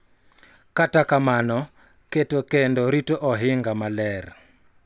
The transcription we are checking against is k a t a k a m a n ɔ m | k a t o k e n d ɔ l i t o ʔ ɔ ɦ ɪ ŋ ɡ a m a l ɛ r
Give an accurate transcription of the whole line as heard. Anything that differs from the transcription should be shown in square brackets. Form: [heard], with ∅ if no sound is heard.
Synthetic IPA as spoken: k a t a k a m a n ɔ [∅] | k [e] t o k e n d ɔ [ɾ] i t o ʔ ɔ ɦ ɪ ŋ ɡ a m a l ɛ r